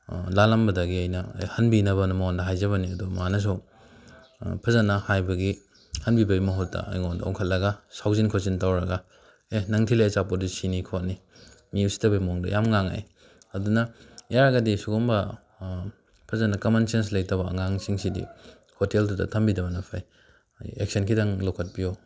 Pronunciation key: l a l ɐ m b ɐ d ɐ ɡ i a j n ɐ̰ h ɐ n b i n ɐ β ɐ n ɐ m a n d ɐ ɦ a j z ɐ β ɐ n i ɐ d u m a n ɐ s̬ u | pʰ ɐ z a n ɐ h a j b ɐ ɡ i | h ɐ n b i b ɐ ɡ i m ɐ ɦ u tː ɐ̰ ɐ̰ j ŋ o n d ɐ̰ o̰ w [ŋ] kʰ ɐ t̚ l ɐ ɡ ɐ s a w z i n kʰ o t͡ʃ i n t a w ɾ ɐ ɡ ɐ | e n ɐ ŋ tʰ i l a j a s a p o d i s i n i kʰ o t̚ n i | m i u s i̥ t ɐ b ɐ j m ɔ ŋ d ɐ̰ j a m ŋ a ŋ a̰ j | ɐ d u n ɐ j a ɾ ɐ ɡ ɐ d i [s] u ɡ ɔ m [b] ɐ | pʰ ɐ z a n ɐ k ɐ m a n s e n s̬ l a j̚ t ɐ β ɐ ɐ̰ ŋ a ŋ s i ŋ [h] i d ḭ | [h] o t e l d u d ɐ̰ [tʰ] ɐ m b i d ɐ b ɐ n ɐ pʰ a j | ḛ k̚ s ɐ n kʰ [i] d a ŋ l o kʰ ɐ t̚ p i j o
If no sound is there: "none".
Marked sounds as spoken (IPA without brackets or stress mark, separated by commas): ŋ, s, b, s, h, tʰ, i